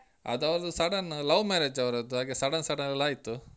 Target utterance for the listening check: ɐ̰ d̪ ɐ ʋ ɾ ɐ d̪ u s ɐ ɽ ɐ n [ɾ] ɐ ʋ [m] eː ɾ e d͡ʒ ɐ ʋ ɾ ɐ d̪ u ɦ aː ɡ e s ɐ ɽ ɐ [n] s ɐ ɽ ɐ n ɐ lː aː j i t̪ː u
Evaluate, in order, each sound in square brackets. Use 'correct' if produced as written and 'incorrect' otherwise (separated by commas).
incorrect, correct, correct